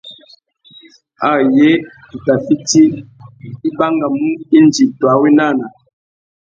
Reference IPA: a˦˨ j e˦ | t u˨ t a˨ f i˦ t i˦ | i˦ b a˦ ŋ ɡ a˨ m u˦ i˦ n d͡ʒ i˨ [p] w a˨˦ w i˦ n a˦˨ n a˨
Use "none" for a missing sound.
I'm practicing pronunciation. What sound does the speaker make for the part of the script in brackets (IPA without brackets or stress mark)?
t